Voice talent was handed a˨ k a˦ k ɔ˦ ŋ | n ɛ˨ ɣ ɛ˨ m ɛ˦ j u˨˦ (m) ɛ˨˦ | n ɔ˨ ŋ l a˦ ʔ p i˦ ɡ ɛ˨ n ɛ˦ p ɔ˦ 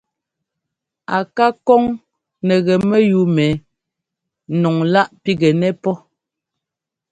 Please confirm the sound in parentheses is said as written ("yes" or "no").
yes